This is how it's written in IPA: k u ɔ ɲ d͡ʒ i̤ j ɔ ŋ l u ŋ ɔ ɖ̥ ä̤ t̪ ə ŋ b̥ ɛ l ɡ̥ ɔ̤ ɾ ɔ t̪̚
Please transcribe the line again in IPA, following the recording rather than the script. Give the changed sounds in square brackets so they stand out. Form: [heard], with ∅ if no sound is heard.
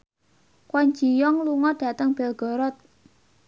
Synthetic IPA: k [w] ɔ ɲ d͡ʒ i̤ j ɔ ŋ l u ŋ ɔ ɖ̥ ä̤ t̪ ə ŋ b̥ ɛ l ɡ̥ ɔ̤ ɾ ɔ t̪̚